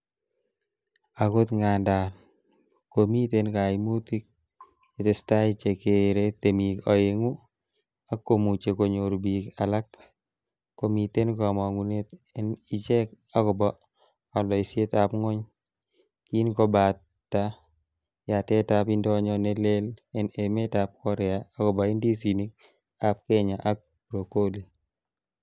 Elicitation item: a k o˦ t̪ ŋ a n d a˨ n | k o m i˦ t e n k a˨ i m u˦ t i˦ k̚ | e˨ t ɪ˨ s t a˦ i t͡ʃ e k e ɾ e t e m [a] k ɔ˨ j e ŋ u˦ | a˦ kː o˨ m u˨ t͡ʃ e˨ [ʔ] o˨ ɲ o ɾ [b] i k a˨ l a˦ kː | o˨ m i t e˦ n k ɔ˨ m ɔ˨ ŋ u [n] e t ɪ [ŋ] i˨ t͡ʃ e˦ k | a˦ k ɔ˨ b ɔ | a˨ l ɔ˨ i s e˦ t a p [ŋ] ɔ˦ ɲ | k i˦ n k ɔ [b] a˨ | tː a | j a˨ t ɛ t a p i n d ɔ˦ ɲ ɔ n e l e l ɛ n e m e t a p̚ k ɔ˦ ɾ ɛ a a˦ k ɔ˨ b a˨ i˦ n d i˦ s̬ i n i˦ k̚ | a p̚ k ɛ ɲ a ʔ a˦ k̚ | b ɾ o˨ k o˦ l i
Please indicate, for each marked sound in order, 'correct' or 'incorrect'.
incorrect: i, incorrect: k, correct, correct, incorrect: n, correct, correct

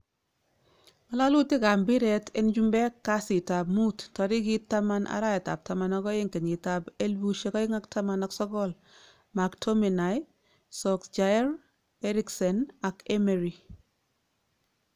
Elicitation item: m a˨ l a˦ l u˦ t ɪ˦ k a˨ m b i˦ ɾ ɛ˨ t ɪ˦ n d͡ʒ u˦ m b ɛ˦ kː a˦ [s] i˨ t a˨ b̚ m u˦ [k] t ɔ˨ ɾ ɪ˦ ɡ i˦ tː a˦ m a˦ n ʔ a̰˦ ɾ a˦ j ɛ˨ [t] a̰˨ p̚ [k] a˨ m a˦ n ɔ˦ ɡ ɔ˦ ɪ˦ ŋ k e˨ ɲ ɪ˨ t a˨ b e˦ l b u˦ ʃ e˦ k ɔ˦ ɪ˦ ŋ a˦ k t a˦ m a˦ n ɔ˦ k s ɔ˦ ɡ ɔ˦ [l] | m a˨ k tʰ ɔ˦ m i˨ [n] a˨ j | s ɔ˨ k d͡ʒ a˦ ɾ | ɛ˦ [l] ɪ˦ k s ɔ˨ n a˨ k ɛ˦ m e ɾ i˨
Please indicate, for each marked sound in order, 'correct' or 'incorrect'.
correct, incorrect: t, correct, incorrect: t, correct, correct, incorrect: ɾ

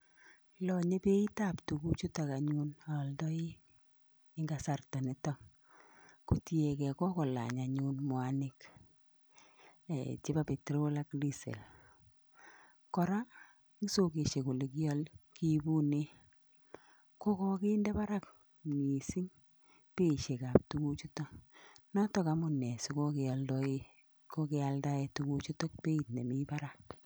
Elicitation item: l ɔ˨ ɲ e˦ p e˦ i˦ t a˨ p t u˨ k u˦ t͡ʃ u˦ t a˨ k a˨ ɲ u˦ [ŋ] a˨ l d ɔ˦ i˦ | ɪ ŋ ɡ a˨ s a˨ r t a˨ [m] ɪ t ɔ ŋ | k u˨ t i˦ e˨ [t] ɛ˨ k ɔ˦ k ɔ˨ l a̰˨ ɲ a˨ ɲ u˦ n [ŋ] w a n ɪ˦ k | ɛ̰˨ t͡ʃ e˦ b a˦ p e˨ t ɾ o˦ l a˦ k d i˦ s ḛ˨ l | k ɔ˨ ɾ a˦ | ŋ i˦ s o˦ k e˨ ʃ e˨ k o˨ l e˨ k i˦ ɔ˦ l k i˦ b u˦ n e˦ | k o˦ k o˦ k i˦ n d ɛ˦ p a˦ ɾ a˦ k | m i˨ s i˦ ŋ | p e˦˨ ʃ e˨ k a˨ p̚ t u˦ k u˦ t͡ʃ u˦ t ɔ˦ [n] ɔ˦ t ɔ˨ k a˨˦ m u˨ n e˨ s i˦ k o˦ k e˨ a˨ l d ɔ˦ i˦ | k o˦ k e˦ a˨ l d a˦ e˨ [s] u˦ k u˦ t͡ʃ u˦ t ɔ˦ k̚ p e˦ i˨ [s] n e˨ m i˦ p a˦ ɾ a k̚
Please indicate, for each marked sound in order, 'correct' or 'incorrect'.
incorrect: n, incorrect: n, incorrect: k, incorrect: m, correct, incorrect: t, incorrect: t

